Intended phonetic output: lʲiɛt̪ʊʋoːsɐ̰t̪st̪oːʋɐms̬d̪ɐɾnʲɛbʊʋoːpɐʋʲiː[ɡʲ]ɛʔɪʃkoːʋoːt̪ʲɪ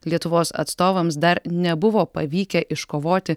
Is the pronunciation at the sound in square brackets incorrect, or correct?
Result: incorrect